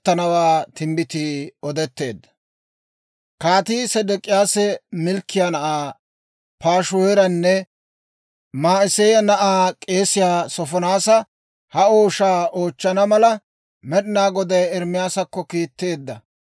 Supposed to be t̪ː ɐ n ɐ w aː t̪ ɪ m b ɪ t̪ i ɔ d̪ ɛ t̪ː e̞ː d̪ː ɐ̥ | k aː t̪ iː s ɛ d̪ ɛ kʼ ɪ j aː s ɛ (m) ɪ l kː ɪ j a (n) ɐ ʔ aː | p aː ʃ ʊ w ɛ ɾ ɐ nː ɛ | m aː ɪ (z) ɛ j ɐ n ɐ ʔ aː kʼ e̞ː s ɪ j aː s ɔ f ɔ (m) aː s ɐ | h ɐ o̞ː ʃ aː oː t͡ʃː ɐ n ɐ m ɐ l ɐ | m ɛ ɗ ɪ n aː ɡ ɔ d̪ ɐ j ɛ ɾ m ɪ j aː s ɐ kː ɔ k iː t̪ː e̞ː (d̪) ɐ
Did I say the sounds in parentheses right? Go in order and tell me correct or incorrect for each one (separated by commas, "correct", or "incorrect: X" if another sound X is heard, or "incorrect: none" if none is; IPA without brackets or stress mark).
correct, correct, incorrect: s, incorrect: n, incorrect: d̪ː